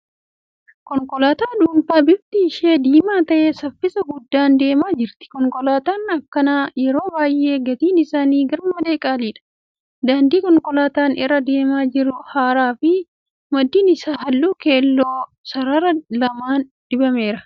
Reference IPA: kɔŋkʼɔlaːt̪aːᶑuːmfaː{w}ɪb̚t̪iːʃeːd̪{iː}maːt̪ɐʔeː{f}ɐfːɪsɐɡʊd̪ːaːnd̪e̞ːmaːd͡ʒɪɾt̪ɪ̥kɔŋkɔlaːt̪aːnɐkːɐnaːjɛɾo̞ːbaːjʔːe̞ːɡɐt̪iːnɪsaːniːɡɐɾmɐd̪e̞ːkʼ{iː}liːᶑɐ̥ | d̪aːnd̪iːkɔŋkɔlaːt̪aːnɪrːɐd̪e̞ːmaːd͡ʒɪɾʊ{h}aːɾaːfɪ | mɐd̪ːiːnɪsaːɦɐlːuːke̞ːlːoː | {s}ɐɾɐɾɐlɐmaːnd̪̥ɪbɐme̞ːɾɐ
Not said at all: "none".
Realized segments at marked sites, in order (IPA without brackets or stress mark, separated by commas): b, iː, s, aː, h, s